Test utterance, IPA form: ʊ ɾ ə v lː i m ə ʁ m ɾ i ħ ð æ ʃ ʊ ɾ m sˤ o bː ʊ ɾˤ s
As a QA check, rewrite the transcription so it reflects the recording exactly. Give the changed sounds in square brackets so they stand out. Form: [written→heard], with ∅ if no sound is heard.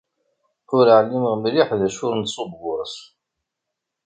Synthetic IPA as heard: ʊ ɾ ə [v→ʕ] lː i m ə ʁ m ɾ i ħ ð æ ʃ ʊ ɾ [m→n] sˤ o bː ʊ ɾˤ s